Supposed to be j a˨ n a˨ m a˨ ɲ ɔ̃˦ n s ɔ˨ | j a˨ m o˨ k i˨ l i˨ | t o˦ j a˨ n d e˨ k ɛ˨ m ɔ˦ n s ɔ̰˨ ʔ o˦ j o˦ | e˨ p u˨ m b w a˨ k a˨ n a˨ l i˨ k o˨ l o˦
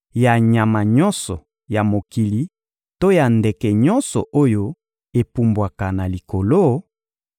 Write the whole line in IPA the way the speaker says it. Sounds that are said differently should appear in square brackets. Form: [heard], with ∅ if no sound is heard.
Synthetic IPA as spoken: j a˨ [ɲ] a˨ m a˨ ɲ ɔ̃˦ n s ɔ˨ | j a˨ m o˨ k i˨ l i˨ | t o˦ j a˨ n d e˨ k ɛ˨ [ɲ] ɔ˦ n s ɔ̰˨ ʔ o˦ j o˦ | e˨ p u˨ m b w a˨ k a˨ n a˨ l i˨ k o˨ l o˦